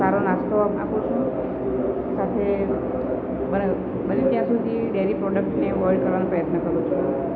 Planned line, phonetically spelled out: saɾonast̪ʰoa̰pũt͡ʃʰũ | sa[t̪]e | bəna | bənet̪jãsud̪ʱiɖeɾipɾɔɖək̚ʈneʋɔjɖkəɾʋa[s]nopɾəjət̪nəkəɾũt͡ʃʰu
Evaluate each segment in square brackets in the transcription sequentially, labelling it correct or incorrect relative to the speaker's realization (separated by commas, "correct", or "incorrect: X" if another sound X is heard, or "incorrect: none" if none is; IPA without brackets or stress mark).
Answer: incorrect: t̪ʰ, incorrect: none